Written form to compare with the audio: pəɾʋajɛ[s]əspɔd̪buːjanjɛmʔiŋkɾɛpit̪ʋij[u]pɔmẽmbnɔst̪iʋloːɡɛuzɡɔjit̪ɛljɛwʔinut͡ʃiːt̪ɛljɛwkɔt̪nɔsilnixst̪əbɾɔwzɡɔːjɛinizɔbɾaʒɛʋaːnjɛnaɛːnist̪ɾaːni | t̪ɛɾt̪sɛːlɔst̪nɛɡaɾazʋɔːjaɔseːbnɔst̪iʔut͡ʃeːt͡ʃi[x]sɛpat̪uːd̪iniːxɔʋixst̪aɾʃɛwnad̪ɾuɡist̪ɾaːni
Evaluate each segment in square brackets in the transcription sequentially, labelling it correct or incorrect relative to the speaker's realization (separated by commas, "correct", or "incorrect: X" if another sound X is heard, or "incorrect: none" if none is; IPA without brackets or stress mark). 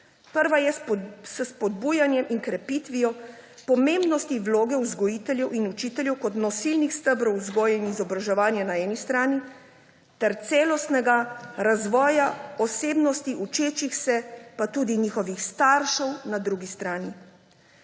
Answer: correct, incorrect: ɔ, correct